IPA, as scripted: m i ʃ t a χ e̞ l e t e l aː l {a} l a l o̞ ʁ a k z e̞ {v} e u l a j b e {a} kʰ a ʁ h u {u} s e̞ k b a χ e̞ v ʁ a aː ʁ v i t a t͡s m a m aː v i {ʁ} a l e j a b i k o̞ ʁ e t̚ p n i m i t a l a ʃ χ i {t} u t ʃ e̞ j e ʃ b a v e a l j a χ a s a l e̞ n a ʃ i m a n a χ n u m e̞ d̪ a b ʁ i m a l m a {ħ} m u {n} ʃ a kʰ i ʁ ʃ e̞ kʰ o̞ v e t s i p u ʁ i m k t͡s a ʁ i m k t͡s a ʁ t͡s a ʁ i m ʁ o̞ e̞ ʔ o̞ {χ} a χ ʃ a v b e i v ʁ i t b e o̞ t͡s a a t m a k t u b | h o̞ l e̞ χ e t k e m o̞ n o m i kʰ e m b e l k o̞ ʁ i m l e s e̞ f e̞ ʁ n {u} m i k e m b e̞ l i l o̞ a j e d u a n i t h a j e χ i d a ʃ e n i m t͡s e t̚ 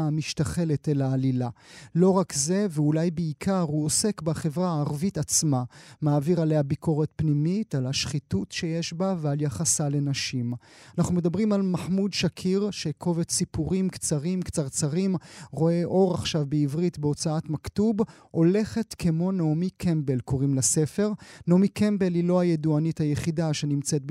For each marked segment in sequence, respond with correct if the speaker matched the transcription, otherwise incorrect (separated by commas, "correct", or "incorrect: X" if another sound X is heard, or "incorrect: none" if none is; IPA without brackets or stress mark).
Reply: incorrect: i, correct, incorrect: i, incorrect: o, correct, correct, correct, incorrect: d, incorrect: ʁ, incorrect: o